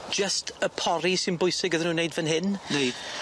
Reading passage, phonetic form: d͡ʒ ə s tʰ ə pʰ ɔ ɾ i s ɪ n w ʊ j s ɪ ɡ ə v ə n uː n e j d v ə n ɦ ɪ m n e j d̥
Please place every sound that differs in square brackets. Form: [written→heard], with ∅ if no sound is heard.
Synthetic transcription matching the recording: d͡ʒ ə s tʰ ə pʰ ɔ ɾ i s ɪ n [w→b] ʊ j s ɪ ɡ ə [v→ð] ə n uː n e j d v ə n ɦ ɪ [m→n] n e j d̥